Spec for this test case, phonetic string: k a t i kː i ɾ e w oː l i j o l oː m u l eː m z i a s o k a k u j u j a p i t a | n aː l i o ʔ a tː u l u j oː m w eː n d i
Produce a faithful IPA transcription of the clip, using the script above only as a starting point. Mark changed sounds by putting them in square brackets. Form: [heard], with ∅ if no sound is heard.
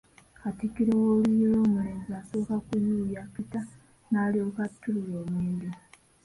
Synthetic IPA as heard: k a t i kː i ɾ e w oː l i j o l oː m u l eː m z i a s o k a k u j u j a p i t a | n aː l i o [k] a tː u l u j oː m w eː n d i